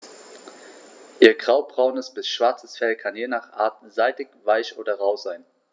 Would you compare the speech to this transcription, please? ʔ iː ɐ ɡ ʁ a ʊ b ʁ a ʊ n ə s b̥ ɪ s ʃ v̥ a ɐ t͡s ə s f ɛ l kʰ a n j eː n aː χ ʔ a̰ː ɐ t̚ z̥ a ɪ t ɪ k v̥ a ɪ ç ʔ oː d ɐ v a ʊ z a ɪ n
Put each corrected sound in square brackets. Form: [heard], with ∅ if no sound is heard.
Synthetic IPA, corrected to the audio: ʔ iː ɐ ɡ ʁ a ʊ b ʁ a ʊ n ə s b̥ ɪ s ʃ v̥ a ɐ t͡s ə s f ɛ l kʰ a n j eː n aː χ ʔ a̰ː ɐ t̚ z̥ a ɪ t ɪ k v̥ a ɪ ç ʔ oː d ɐ [ʁ] a ʊ z a ɪ n